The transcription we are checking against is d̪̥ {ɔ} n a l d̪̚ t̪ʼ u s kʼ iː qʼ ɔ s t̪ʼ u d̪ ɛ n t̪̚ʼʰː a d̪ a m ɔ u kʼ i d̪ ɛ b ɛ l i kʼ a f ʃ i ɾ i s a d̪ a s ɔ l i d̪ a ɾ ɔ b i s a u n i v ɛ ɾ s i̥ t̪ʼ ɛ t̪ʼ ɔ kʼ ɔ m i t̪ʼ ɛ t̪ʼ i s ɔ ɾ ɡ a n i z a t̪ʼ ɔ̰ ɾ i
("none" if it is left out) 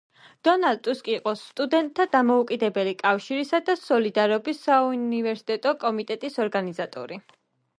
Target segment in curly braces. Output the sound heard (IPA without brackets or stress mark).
ɔ